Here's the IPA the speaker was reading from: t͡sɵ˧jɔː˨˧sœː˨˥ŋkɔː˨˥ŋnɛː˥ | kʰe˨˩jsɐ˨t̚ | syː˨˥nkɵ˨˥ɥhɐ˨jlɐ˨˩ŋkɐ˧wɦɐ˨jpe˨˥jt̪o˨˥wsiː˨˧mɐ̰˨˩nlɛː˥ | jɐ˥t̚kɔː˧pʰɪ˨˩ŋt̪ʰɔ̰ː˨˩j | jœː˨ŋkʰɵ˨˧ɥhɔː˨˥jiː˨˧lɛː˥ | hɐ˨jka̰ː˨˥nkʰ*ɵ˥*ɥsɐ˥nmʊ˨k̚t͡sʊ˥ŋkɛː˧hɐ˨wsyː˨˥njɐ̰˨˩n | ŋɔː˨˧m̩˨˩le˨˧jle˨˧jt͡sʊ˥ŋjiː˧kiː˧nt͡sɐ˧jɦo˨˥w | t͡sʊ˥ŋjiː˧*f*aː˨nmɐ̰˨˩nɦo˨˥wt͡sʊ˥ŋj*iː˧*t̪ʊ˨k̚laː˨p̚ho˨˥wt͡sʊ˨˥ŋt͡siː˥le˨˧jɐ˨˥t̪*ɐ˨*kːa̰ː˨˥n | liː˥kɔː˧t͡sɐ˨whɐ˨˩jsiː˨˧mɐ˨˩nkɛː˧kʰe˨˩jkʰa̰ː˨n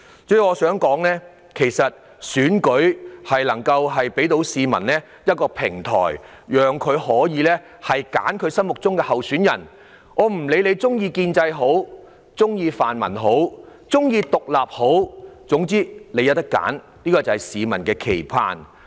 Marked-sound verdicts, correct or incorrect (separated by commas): incorrect, correct, correct, incorrect